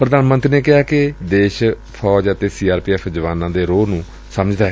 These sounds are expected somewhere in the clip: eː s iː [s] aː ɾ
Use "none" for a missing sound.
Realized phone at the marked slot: none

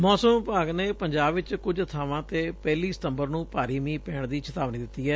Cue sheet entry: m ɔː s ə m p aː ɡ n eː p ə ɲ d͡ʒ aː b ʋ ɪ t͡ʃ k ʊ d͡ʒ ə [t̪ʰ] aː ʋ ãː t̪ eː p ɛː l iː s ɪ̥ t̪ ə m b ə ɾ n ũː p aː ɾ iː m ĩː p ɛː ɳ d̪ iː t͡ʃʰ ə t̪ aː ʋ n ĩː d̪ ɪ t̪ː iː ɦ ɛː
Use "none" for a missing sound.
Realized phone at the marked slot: t̪ʰ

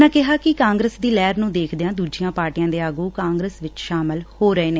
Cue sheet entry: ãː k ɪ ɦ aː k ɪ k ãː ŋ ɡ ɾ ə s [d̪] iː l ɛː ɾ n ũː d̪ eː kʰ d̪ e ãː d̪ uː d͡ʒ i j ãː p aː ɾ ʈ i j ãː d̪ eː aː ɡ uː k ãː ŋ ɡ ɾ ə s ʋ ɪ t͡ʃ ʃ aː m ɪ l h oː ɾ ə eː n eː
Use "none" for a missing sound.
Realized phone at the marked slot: d̪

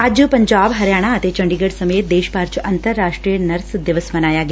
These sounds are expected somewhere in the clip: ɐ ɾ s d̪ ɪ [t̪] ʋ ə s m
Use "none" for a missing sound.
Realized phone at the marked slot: none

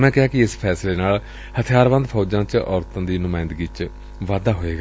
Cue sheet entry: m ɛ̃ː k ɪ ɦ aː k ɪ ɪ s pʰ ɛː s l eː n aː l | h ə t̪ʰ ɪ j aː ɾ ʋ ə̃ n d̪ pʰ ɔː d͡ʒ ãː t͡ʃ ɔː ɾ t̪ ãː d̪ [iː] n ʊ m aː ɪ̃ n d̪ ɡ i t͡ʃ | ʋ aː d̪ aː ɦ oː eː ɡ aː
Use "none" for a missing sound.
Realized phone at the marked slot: iː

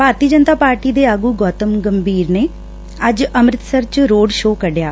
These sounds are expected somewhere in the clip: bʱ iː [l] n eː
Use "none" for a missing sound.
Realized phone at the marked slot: ɾ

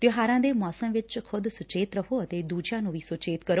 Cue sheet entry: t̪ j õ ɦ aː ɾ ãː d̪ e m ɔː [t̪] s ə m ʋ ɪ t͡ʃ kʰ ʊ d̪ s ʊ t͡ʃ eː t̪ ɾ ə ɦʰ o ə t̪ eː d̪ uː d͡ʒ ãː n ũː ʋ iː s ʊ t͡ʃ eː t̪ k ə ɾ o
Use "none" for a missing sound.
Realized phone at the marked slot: none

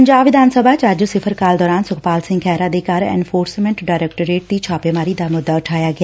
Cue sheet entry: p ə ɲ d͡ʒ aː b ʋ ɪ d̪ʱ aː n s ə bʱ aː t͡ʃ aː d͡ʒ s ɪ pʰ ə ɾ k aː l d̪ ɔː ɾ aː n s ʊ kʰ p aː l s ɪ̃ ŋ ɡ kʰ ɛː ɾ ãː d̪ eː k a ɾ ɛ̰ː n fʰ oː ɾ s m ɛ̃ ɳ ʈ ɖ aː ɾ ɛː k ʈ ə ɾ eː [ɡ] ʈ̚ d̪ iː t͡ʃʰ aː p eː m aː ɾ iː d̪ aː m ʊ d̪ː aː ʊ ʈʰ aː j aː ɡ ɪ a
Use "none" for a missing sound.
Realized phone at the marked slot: none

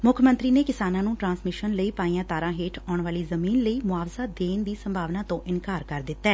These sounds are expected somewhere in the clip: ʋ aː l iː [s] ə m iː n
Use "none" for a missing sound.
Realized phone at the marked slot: z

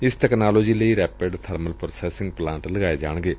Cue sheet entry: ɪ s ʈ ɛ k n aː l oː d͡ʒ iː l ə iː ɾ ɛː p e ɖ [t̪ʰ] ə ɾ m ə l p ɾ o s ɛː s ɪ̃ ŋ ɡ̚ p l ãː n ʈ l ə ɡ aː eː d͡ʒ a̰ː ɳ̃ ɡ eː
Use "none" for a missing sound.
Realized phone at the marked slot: t̪ʰ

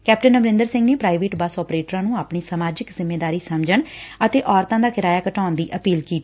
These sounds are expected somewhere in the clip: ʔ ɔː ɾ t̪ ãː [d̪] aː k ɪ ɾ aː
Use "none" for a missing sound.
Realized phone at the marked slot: d̪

